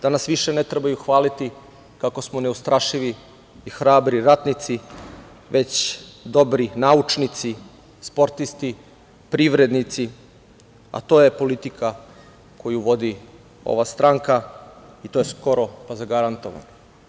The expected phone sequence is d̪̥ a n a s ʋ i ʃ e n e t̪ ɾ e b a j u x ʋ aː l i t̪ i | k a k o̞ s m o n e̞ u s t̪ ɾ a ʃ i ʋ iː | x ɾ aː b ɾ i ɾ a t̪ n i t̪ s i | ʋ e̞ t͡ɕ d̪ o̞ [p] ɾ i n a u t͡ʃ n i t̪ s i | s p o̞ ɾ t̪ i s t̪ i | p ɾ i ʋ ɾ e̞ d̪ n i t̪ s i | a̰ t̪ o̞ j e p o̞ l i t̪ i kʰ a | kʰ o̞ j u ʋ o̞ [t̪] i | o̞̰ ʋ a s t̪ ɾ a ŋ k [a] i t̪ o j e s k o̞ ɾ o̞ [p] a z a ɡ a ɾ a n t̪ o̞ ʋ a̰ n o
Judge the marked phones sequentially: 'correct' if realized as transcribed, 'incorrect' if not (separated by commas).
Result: incorrect, incorrect, correct, correct